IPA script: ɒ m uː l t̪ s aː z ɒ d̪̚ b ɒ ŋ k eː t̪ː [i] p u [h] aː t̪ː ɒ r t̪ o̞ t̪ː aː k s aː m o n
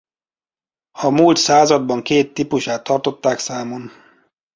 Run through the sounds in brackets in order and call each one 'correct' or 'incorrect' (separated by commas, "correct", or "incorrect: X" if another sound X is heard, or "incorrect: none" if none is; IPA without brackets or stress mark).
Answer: correct, incorrect: ʃ